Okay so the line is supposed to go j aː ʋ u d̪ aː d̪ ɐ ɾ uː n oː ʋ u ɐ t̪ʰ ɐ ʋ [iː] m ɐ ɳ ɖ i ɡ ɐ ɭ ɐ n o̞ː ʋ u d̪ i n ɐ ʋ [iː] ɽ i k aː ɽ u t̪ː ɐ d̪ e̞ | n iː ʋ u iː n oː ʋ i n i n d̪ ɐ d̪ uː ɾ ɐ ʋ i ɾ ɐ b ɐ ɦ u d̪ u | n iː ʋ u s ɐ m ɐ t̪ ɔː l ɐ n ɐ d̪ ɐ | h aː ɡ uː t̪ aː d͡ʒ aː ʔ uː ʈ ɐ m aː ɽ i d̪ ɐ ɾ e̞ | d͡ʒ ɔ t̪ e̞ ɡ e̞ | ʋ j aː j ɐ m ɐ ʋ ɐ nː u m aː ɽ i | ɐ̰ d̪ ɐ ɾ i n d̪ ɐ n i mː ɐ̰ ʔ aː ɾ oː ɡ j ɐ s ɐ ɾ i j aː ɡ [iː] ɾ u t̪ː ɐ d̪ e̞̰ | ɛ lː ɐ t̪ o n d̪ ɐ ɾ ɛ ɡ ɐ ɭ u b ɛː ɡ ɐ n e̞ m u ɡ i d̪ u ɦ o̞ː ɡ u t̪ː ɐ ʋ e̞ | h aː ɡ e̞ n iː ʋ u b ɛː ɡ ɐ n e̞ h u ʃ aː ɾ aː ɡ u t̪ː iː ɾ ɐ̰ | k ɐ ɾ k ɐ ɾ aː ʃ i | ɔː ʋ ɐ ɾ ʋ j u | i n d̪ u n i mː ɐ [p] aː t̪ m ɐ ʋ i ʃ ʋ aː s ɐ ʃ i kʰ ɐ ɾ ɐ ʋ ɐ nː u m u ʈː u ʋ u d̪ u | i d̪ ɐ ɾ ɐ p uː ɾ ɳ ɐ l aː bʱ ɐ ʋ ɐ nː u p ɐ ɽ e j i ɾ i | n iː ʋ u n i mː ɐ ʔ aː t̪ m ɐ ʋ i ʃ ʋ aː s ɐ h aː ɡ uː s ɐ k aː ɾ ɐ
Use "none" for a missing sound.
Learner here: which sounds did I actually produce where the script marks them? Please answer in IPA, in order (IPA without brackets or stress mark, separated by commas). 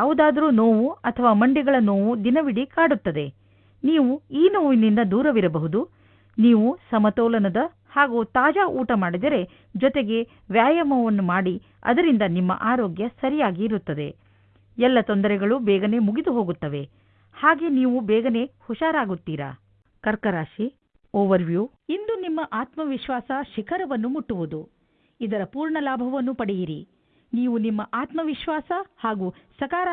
aː, i, iː, ʔ